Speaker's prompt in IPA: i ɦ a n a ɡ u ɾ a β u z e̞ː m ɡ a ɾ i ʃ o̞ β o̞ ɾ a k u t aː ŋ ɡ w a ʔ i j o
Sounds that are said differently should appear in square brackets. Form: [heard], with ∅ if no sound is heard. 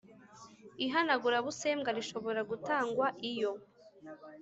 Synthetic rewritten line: i ɦ a n a ɡ u ɾ a β u [s] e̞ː m ɡ a ɾ i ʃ o̞ β o̞ ɾ a [ɡ] u t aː ŋ ɡ w a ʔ i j o